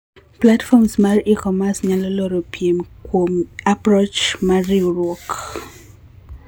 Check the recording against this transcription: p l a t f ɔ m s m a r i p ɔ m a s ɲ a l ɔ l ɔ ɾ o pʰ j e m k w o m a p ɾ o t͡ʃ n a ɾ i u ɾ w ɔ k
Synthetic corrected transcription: p l a t f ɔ m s m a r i k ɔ m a s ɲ a l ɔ l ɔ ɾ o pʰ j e m k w o m a p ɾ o t͡ʃ m a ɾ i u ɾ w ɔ k